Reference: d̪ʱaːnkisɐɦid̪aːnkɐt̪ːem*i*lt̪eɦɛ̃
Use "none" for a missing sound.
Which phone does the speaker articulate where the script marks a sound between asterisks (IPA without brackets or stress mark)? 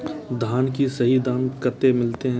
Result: ɪ